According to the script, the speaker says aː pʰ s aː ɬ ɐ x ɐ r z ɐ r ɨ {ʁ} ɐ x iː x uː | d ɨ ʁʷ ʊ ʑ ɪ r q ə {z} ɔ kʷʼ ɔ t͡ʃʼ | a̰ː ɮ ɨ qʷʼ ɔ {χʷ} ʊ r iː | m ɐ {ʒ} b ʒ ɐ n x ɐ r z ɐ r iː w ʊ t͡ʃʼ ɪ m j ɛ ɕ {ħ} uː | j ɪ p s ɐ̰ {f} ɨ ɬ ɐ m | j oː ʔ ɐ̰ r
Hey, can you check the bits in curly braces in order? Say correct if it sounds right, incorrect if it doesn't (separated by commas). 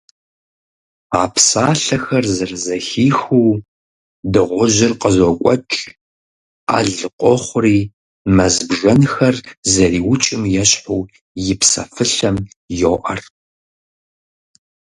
incorrect, correct, correct, incorrect, correct, correct